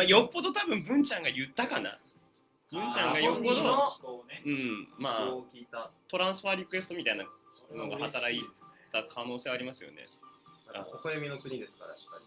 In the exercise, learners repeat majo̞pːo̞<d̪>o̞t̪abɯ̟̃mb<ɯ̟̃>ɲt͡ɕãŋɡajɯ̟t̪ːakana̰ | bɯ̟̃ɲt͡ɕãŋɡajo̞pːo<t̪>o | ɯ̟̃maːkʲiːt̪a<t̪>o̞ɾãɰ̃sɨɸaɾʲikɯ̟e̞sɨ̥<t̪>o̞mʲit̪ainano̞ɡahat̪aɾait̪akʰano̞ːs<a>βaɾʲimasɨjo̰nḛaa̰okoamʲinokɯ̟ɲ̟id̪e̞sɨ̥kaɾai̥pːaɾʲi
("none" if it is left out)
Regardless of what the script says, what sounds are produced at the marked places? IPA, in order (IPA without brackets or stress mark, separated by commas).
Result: d̪, ɯ̟̃, d̪, t̪, t̪, e